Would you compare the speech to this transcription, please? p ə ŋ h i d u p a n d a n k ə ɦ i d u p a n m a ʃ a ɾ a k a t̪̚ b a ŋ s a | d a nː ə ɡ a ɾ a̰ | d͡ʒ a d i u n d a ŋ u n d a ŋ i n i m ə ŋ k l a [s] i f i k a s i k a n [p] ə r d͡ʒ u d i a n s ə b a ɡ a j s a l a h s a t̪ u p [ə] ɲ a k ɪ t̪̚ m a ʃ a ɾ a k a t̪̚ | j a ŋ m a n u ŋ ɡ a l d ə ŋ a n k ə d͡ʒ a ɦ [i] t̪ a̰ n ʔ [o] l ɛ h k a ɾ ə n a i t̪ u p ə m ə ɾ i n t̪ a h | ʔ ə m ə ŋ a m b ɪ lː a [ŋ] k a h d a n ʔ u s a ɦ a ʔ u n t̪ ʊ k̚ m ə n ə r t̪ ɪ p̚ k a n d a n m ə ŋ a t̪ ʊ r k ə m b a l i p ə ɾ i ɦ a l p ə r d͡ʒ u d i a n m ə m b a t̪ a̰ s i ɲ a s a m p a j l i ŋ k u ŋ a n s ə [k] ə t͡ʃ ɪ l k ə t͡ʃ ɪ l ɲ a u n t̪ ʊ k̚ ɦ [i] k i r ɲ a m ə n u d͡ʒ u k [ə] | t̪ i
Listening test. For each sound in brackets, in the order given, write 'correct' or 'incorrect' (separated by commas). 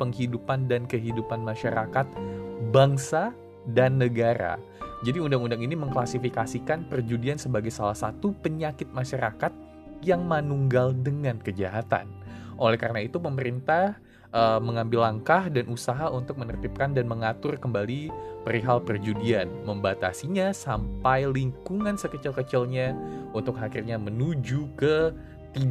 correct, correct, correct, incorrect, correct, correct, correct, incorrect, correct